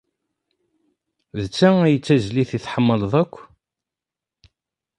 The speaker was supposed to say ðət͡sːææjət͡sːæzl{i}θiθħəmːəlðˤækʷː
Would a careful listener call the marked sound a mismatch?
no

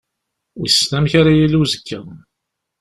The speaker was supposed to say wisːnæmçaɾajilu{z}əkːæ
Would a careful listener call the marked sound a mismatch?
no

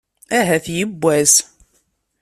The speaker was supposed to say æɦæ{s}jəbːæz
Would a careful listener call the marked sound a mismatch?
yes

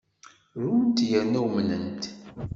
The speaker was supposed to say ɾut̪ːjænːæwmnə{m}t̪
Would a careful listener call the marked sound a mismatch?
yes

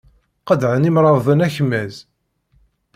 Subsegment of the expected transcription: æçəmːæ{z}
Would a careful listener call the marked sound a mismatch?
no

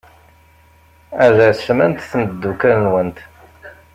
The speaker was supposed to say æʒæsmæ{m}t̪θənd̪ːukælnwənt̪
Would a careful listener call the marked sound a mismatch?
yes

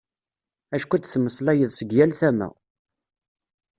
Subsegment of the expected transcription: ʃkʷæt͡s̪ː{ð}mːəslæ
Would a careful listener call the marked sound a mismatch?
yes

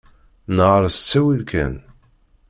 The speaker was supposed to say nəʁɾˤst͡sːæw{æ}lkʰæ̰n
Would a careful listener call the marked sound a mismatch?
yes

